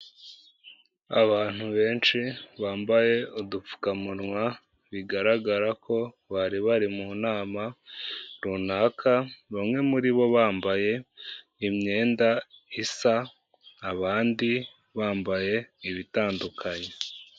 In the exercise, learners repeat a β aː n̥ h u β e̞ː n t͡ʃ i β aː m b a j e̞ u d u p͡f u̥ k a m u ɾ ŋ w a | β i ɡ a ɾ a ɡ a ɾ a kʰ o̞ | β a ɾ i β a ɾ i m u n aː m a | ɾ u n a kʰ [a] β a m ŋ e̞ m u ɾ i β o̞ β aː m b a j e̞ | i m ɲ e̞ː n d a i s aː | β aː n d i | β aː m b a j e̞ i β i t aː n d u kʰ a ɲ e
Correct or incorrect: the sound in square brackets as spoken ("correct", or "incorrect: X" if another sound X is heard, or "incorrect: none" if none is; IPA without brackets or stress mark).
correct